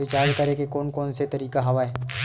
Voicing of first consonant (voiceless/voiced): voiceless